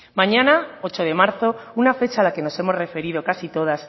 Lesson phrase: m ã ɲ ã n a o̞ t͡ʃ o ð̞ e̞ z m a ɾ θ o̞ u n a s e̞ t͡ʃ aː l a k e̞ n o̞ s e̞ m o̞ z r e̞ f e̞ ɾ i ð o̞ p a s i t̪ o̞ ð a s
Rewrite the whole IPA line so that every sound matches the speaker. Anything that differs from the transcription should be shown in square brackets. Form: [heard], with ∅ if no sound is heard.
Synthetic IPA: m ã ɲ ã n a o̞ t͡ʃ o ð̞ e̞ [∅] m a ɾ θ o̞ u n a [f] e̞ t͡ʃ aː l a k e̞ n o̞ s e̞ m o̞ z r e̞ f e̞ ɾ i ð o̞ [k] a s i t̪ o̞ ð a s